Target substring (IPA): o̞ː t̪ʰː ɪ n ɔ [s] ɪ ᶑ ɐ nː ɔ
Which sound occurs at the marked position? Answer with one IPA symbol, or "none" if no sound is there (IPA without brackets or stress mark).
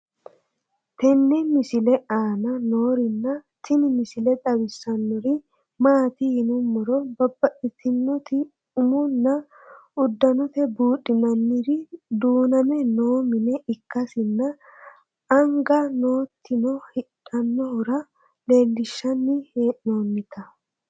h